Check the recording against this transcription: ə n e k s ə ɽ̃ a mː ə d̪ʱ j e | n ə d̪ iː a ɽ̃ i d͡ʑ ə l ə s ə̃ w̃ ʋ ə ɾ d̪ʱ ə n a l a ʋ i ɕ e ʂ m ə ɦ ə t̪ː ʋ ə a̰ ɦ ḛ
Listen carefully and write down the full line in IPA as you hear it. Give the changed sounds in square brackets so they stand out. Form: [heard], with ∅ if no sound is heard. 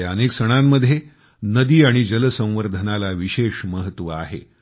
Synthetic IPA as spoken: ə n e k s ə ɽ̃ a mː ə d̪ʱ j e | n ə d̪ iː a ɽ̃ i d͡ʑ ə l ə s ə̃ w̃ ʋ ə ɾ d̪ʱ ə n a l a ʋ i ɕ e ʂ m ə ɦ ə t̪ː ʋ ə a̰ ɦ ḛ